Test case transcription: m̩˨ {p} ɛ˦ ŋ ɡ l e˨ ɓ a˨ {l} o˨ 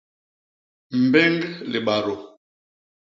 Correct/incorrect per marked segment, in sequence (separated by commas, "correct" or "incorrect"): incorrect, incorrect